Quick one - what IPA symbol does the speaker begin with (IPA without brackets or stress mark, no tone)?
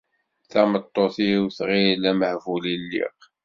θ